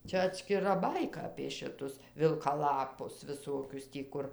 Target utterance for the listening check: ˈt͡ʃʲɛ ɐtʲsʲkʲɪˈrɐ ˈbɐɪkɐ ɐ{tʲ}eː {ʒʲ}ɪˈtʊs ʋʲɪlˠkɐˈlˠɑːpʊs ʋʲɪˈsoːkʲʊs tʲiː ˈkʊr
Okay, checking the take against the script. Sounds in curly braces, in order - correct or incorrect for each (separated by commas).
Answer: incorrect, incorrect